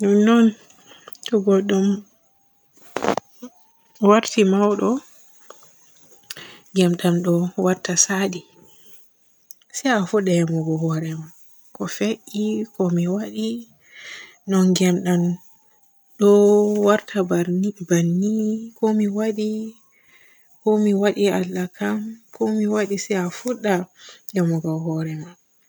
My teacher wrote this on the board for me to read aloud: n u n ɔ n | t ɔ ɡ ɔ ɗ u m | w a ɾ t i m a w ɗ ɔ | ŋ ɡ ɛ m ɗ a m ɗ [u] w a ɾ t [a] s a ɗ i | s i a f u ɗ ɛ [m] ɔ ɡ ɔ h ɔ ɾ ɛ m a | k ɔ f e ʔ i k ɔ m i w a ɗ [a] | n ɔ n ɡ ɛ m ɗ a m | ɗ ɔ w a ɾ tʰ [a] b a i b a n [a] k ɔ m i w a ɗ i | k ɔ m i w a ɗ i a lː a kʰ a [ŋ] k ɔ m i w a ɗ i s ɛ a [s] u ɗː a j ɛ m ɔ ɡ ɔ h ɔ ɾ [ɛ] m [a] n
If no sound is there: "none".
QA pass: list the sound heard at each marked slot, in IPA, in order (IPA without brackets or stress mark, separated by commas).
ɔ, a, m, i, a, i, m, f, ɛ, a